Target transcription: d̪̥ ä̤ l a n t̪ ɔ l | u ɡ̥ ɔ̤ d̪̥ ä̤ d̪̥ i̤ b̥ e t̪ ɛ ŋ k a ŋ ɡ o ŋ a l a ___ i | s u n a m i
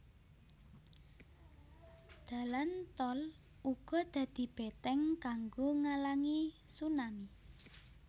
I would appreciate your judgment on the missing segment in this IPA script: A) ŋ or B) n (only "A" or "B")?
A